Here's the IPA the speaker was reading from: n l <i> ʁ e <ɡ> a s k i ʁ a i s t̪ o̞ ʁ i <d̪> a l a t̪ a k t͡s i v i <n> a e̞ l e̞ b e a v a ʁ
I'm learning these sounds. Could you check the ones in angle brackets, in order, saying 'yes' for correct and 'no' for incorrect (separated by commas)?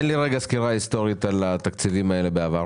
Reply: yes, yes, no, no